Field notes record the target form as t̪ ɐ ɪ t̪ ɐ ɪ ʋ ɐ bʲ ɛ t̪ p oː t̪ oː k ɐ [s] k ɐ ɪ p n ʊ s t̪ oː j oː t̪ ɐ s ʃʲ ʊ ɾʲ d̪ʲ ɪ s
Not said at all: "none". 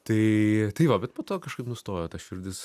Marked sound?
ʃ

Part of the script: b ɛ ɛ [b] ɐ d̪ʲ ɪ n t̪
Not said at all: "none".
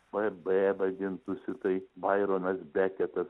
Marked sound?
b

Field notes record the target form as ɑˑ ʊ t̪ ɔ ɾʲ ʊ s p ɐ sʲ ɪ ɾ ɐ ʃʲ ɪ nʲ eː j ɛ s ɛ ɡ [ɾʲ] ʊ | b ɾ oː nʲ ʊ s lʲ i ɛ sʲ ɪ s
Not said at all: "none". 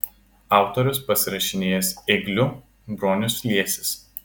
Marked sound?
lʲ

